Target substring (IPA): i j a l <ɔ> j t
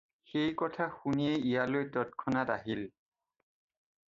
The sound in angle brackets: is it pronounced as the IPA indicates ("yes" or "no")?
no